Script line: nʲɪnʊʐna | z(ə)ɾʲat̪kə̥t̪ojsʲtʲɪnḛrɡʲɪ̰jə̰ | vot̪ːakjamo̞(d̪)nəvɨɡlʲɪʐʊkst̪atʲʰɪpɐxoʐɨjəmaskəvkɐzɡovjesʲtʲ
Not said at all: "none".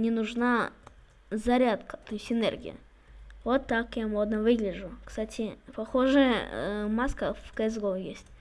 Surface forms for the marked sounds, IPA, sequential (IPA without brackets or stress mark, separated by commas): ɐ, d̪